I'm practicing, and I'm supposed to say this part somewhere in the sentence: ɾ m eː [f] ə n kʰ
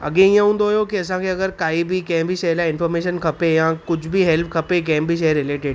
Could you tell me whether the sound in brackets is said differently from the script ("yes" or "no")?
yes